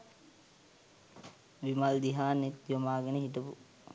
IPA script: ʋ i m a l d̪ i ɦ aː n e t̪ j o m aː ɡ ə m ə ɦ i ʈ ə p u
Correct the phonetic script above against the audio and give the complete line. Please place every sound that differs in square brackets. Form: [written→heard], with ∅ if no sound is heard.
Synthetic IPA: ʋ i m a l d̪ i ɦ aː n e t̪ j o m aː ɡ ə [m→n] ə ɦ i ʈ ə p u